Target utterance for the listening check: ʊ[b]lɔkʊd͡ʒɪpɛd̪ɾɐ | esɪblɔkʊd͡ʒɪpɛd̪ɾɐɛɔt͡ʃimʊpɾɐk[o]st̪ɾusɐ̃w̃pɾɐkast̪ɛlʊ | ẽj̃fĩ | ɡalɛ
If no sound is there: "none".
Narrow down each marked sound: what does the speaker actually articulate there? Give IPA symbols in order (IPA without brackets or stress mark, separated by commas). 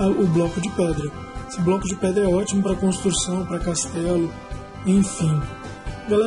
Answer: b, õ